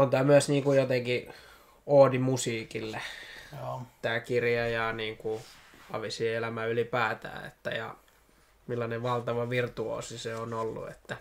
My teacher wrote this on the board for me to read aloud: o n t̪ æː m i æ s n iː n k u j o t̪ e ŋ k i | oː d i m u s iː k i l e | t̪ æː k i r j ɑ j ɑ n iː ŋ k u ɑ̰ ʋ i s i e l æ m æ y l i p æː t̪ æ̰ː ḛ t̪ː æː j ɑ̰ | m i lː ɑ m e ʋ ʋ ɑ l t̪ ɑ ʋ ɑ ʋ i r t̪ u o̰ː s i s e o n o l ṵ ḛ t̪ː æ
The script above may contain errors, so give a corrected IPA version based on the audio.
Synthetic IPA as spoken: o n t̪ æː m y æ s n iː ŋ k u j o t̪ e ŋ k i | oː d i m u s iː k i lː e | t̪ æː k i r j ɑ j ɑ n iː ŋ k u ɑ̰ ʋ i s i e l æ m æ y l i p æː t̪ æ̰ː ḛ t̪ː æ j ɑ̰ | m i lː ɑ n e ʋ ʋ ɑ l t̪ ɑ ʋ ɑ ʋ i r t̪ u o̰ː s i s e o n o lː ṵ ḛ t̪ː æ